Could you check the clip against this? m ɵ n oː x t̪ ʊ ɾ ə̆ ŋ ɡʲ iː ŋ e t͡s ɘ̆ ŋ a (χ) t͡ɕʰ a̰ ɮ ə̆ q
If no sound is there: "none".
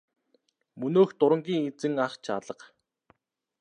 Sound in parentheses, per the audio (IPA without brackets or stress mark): χ